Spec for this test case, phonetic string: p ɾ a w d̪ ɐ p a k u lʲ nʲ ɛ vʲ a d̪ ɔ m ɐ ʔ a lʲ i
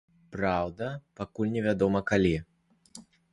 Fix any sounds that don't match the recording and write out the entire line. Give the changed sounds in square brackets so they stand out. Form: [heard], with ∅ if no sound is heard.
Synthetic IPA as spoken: p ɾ a w d̪ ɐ p a k u lʲ nʲ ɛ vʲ a d̪ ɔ m ɐ [k] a lʲ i